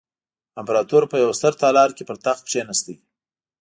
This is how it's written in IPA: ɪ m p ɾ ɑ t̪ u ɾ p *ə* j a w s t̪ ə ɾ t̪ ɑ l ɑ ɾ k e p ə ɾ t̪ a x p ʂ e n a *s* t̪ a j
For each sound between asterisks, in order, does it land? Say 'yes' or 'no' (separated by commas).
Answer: yes, yes